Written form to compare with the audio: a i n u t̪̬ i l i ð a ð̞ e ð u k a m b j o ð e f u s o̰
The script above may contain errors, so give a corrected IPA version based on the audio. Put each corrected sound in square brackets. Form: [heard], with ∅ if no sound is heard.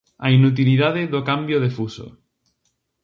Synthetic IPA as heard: a i n u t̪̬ i l i ð a ð̞ e ð [o] k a m b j o ð e f u s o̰